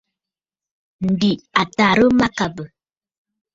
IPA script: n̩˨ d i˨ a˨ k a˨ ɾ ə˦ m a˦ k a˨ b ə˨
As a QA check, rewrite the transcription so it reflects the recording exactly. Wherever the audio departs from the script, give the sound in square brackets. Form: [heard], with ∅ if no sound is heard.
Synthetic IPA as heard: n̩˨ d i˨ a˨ [t] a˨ ɾ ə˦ m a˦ k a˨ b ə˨